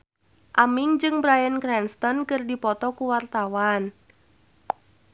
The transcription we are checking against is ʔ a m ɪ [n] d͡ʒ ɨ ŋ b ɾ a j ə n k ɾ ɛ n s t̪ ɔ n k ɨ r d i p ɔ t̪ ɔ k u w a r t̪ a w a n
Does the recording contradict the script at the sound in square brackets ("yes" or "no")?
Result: yes